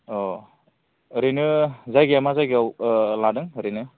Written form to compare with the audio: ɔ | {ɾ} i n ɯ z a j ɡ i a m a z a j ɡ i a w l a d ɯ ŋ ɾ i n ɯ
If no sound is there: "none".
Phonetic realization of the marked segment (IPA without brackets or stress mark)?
ɾ